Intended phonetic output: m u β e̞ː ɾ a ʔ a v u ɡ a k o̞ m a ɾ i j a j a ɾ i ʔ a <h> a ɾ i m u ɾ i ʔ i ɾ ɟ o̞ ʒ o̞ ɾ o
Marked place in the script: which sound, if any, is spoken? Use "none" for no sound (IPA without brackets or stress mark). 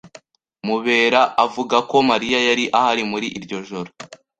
h